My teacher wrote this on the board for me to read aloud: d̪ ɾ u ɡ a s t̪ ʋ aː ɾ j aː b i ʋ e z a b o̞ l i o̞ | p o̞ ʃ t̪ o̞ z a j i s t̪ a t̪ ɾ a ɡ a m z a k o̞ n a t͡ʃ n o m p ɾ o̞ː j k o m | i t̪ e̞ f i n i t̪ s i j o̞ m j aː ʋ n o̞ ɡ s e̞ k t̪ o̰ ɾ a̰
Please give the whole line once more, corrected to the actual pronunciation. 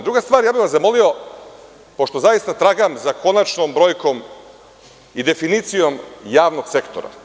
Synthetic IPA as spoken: d̪ ɾ u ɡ a s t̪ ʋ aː ɾ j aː b i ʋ a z a m o̞ l i o̞ | p o̞ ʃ t̪ o̞ z a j i s t̪ a t̪ ɾ a ɡ a m z a k o̞ n a t͡ʃ n o m b ɾ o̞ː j k o m | i d̪ e̞ f i n i t̪ s i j o̞ m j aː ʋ n o̞ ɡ s e̞ k t̪ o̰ ɾ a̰